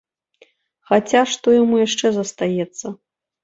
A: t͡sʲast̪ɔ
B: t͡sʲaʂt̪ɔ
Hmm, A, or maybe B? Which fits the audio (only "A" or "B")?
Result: B